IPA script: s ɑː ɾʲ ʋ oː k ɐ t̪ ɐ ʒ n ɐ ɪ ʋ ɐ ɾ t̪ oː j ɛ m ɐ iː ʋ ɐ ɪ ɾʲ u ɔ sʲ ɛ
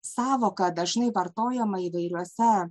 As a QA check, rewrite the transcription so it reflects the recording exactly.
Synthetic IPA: s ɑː ʋ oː k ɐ d̪ ɐ ʒ n ɐ ɪ ʋ ɐ ɾ t̪ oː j ɛ m ɐ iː ʋ ɐ ɪ ɾʲ u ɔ sʲ ɛ